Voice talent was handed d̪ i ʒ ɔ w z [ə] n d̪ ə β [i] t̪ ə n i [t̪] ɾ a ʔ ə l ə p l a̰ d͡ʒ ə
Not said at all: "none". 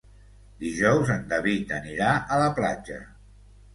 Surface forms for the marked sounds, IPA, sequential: ə, i, none

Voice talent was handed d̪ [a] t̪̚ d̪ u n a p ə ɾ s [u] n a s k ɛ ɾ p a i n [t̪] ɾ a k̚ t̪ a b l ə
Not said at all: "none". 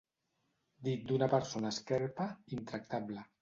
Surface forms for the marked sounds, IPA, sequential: i, o, t̪

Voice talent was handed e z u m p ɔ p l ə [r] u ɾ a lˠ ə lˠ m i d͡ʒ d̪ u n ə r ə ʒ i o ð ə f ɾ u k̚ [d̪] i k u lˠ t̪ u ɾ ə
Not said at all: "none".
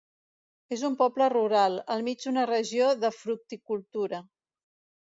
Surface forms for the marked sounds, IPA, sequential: r, t̪

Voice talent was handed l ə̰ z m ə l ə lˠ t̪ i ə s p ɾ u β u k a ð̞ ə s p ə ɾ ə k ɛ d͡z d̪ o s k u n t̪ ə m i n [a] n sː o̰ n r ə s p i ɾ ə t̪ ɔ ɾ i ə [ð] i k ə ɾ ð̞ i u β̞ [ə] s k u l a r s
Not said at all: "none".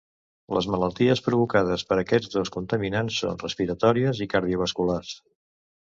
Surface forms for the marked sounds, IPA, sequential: a, z, ə

